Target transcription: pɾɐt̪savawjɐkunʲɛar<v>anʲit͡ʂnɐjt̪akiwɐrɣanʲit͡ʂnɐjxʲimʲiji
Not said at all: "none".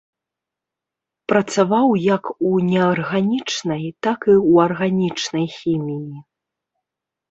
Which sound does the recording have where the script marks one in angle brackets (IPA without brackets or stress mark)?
ɣ